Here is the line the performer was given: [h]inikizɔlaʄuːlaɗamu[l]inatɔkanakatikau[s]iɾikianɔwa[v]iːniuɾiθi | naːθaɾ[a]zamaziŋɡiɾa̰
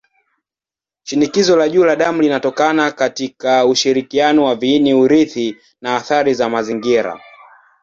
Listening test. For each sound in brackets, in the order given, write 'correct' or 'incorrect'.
incorrect, correct, incorrect, correct, incorrect

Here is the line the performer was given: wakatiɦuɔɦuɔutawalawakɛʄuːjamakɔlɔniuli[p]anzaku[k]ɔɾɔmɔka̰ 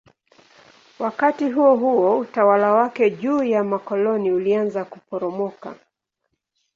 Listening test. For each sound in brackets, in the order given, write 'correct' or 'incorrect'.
incorrect, incorrect

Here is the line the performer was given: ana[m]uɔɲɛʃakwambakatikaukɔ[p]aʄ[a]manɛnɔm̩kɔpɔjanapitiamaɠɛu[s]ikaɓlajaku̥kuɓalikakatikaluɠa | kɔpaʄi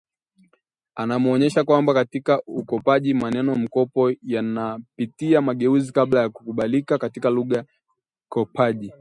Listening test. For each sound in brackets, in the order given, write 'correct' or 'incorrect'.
correct, correct, incorrect, incorrect

